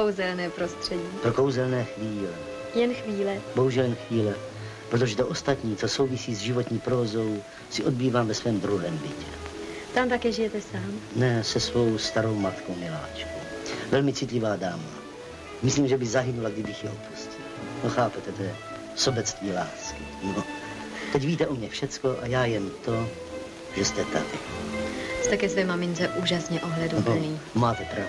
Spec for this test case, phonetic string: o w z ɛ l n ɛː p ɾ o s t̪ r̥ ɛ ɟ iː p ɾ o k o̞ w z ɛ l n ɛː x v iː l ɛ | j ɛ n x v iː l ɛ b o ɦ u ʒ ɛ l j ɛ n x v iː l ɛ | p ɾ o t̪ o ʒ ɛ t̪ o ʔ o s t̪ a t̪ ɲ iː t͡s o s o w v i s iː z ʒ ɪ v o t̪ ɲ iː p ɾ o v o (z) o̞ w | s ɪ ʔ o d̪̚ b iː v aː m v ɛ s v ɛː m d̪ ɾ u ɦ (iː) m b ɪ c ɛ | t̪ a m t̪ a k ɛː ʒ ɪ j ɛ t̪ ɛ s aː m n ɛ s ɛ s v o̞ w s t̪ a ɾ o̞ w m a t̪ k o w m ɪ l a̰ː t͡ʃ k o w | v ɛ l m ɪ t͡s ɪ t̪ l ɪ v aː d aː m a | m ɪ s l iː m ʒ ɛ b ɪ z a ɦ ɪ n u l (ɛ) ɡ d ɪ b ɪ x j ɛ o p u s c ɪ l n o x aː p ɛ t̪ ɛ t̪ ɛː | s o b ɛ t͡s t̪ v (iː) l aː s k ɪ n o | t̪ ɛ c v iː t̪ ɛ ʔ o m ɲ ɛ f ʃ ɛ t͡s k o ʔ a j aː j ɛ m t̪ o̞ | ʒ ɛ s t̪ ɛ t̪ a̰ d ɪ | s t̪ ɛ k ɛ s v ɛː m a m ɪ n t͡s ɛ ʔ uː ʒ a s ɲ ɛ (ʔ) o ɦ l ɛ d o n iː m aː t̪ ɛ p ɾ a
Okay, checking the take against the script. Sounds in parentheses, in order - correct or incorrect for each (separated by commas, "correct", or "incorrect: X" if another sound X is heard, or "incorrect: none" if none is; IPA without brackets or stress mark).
correct, incorrect: ɛː, incorrect: a, correct, correct